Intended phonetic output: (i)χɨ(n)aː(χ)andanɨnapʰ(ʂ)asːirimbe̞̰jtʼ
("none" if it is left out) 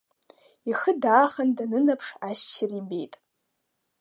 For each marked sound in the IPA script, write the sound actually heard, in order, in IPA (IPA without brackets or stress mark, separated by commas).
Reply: i, d, χ, ʂ